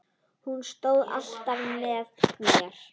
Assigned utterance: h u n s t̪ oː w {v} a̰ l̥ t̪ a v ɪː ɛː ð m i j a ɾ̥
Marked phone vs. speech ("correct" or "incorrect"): incorrect